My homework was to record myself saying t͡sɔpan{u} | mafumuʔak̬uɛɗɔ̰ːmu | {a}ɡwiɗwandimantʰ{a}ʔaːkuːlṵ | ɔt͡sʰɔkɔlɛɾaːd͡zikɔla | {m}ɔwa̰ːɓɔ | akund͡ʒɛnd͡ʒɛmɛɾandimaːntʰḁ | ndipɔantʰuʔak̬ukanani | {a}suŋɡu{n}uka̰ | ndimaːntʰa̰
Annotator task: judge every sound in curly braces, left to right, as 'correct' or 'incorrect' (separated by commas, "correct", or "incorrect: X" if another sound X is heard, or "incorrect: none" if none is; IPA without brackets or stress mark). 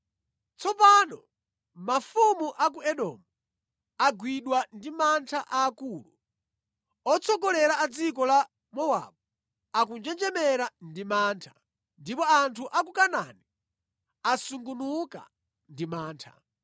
incorrect: ɔ, correct, correct, correct, correct, correct